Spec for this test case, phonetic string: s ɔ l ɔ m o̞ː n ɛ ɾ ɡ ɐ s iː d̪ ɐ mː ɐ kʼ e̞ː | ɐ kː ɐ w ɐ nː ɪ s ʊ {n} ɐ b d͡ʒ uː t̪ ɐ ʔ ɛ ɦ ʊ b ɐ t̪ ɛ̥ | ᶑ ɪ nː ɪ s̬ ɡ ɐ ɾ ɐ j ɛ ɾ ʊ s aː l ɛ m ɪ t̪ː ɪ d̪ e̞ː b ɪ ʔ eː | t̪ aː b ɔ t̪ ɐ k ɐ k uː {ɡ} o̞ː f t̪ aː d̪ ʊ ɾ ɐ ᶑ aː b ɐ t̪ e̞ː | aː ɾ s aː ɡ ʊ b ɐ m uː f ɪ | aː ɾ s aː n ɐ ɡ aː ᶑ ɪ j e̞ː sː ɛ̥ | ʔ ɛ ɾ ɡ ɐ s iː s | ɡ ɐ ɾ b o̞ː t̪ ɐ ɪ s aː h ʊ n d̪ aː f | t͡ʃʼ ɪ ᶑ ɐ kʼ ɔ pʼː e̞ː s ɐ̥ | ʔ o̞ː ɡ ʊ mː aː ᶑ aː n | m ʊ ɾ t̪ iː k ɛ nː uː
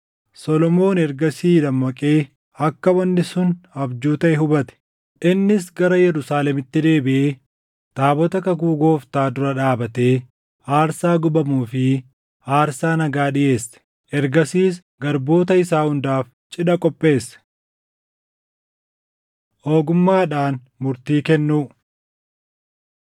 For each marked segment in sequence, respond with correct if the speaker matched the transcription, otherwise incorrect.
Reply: correct, correct

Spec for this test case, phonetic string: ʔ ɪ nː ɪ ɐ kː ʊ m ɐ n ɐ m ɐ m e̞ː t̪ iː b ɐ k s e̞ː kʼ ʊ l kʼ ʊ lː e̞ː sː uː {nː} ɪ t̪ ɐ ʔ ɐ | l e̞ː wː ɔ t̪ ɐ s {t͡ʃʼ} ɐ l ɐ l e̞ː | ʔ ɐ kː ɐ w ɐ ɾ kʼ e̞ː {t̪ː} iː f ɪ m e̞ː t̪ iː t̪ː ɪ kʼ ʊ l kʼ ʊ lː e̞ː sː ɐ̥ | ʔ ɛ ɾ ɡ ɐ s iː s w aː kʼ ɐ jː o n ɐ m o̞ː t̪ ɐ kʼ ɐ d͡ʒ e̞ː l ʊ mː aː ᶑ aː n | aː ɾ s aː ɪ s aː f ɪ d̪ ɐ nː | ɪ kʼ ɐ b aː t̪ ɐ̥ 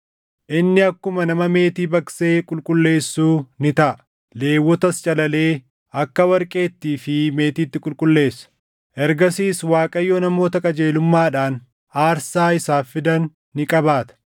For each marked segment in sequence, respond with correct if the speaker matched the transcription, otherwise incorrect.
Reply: incorrect, correct, correct

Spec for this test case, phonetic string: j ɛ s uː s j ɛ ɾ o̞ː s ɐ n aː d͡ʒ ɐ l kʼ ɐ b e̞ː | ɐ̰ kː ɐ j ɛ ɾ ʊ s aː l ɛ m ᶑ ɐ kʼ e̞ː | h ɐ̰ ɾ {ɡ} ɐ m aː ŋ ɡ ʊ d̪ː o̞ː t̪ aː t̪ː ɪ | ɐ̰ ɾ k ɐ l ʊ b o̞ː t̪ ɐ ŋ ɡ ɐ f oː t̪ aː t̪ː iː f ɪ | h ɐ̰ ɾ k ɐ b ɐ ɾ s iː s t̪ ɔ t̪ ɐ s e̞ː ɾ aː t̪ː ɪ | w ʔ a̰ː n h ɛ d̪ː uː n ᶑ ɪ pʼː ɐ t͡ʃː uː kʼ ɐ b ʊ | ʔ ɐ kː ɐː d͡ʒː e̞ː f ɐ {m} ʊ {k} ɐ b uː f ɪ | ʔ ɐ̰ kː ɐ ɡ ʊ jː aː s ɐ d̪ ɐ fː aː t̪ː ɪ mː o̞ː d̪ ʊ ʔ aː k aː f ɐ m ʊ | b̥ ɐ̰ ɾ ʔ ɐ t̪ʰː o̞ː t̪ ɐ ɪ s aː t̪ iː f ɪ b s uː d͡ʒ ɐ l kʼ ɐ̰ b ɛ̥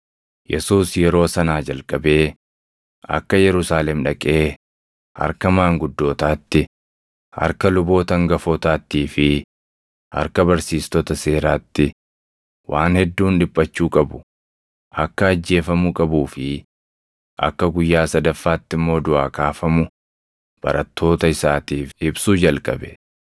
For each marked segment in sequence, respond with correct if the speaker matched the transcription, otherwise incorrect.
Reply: incorrect, correct, incorrect

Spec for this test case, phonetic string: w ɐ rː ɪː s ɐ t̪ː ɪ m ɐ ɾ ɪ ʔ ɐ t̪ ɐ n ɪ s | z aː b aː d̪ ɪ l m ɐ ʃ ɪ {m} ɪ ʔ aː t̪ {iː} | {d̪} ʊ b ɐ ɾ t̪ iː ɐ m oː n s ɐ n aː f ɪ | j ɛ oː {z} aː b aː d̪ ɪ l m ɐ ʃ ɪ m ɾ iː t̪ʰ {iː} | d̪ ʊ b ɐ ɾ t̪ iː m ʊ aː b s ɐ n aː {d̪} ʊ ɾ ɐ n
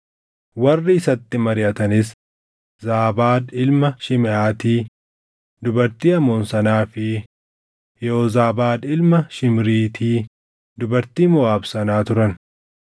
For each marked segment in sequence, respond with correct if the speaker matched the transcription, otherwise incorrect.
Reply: correct, correct, correct, correct, correct, incorrect

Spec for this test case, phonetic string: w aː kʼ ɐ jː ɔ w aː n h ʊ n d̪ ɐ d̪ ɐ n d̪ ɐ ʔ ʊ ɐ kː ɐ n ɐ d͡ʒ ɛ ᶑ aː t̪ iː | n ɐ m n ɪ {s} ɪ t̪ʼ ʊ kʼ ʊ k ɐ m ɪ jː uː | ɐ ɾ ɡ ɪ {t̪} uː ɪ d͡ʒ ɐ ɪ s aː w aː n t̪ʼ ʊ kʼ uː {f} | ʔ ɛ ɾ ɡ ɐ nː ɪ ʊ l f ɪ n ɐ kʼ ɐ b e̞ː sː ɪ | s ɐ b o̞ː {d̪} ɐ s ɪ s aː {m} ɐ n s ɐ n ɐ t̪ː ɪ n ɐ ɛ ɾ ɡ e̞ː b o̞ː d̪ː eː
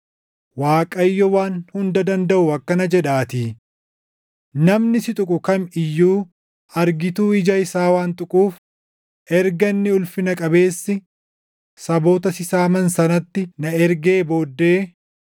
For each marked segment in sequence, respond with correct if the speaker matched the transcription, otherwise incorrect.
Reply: correct, correct, correct, incorrect, correct

